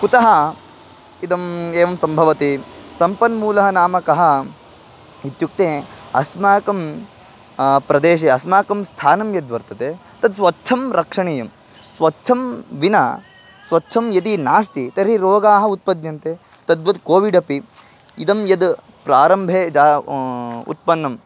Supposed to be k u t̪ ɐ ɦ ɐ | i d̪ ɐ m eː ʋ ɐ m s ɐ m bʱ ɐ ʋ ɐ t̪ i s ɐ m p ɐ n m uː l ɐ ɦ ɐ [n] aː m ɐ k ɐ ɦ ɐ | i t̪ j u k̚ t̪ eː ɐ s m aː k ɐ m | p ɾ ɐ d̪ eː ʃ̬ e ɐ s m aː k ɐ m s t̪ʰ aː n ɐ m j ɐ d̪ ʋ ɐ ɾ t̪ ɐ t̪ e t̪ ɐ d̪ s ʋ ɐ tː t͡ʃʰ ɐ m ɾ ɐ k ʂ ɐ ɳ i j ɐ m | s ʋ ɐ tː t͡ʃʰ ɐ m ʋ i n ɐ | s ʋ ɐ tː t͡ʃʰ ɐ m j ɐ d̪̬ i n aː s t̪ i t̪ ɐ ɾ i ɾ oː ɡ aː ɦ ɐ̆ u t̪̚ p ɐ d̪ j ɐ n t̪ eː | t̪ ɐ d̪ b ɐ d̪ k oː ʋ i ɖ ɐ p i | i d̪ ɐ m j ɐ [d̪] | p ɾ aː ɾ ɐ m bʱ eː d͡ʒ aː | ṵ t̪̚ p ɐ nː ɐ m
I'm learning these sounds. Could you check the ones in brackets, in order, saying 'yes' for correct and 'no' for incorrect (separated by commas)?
yes, yes